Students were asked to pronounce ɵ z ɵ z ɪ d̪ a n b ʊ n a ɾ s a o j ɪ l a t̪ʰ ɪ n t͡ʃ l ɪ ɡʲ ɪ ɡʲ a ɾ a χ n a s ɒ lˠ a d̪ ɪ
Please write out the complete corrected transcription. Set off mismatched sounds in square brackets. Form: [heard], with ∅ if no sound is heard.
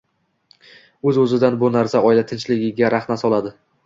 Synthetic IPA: ɵ z ɵ z ɪ d̪ a n b ʊ n a ɾ s a [ɒ] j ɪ l a t̪ʰ ɪ n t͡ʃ l ɪ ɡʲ ɪ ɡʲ a ɾ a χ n a s ɒ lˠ a d̪ ɪ